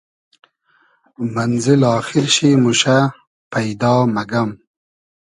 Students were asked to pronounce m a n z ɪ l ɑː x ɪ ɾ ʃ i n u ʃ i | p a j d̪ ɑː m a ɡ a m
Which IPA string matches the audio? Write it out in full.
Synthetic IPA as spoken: m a n z ɪ l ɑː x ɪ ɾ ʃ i m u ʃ a | p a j d̪ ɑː m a ɡ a m

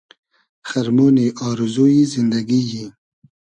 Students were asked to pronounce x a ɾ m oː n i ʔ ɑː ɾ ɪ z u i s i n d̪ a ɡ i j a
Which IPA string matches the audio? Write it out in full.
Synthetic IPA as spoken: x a ɾ m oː n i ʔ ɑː ɾ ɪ z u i z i n d̪ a ɡ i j i

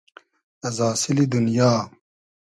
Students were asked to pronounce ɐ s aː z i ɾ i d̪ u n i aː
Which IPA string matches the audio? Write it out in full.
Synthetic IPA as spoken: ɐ z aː s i l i d̪ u n j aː

